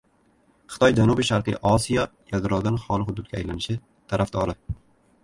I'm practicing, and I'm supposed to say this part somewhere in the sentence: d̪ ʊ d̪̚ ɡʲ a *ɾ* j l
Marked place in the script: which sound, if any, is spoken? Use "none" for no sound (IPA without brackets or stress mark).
none